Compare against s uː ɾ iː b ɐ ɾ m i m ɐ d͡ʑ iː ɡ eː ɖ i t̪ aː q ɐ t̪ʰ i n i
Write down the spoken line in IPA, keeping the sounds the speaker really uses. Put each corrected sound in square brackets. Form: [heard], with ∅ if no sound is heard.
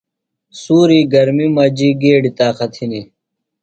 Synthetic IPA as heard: s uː ɾ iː [ɡ] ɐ ɾ m i m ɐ d͡ʑ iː ɡ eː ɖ i t̪ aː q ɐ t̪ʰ i n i